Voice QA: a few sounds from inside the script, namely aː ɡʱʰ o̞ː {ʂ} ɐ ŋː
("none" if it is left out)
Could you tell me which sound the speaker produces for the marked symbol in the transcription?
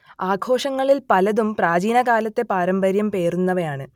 ʂ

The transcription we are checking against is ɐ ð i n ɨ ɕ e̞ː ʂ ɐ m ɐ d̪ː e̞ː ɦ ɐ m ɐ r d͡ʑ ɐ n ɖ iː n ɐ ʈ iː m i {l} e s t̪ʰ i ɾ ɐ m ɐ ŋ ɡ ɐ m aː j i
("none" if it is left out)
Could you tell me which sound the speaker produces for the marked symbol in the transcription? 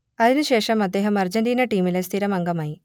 l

